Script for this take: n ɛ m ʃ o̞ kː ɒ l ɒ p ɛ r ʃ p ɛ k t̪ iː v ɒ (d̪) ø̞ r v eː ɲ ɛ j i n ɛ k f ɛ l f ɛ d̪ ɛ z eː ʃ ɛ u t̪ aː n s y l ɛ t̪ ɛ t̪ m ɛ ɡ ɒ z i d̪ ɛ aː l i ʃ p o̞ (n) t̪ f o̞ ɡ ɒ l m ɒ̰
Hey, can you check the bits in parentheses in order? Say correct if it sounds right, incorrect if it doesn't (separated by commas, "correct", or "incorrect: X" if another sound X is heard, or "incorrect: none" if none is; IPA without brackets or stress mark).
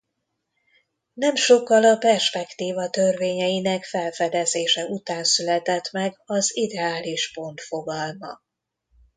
incorrect: t̪, correct